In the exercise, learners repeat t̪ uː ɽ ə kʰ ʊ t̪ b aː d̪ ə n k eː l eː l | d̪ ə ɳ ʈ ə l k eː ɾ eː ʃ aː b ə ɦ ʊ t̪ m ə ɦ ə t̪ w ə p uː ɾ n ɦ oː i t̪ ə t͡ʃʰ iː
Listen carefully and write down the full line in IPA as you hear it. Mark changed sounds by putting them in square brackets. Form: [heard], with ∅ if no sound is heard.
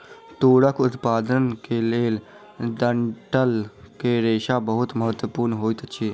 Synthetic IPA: t̪ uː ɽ ə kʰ ʊ t̪ [p] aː d̪ ə n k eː l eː l | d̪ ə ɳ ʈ ə l k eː ɾ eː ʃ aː b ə ɦ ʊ t̪ m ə ɦ ə t̪ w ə p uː ɾ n ɦ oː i t̪ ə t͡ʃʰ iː